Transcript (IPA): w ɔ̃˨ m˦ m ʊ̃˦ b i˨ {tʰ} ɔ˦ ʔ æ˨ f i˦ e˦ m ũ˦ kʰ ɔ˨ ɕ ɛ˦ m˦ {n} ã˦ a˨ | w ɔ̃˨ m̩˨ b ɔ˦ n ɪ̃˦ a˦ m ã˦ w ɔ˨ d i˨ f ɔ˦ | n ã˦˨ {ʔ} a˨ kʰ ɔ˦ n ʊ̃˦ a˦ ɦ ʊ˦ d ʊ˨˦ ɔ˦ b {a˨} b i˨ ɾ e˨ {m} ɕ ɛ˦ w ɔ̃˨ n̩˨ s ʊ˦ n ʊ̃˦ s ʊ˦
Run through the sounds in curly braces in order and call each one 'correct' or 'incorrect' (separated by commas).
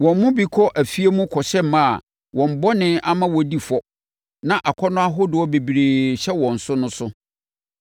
incorrect, incorrect, correct, incorrect, incorrect